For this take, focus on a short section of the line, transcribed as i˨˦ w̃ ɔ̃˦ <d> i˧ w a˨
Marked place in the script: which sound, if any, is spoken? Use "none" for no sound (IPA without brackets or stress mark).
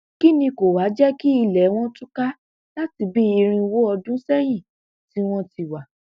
t